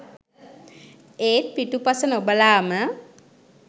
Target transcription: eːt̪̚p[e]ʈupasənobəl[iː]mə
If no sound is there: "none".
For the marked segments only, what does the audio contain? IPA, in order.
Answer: i, aː

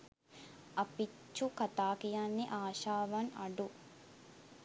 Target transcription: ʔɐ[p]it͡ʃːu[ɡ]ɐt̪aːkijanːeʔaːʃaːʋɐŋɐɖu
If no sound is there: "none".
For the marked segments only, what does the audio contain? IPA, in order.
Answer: p, k

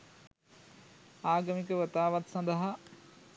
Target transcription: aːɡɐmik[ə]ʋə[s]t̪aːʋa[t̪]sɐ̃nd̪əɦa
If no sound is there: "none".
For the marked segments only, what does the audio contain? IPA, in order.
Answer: ə, none, t̪

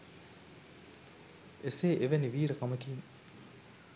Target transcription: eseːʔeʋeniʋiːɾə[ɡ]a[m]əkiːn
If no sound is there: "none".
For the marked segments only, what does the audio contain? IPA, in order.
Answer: k, m

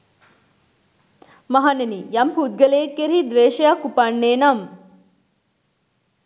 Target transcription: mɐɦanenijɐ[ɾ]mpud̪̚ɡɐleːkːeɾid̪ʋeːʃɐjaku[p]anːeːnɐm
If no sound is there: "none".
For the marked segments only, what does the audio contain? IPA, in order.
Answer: none, p

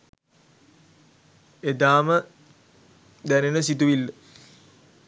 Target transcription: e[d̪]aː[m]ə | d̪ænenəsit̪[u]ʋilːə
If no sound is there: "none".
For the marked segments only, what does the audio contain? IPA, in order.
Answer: d̪, m, u

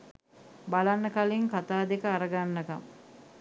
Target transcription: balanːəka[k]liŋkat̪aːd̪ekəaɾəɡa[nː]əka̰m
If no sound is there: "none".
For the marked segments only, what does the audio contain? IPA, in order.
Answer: none, nː

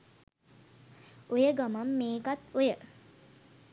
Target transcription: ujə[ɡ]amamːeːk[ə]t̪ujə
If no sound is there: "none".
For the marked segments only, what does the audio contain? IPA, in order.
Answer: ɡ, a

